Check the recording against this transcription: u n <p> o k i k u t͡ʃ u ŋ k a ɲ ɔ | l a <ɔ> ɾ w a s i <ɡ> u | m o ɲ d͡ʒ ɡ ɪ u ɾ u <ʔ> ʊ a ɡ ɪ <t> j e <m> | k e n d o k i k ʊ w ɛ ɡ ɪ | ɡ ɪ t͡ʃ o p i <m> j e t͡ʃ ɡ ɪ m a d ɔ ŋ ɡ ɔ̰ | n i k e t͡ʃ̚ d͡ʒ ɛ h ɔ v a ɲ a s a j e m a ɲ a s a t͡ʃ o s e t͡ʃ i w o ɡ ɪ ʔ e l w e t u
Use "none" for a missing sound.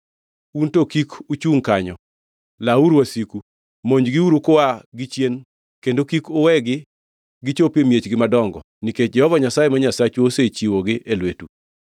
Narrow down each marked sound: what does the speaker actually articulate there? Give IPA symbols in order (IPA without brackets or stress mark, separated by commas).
t, u, k, k, t͡ʃ, n, m